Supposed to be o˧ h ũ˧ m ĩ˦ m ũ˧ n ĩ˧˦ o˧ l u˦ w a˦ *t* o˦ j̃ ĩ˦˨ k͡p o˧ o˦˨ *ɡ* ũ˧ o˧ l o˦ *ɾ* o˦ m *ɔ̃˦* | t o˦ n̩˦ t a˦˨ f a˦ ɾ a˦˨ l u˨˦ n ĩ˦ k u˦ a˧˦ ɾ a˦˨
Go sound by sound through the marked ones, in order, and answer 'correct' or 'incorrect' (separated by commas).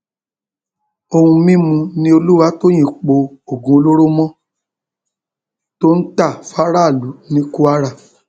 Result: correct, correct, correct, correct